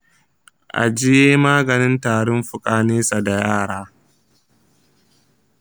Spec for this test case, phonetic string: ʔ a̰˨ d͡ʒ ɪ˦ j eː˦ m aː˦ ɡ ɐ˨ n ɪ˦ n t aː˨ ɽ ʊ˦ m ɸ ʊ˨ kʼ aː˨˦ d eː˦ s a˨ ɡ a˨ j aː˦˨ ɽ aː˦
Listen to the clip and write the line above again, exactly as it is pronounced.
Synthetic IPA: ʔ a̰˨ d͡ʒ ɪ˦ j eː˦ m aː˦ ɡ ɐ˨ n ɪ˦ n t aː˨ ɽ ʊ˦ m ɸ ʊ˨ kʼ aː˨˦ n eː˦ s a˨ d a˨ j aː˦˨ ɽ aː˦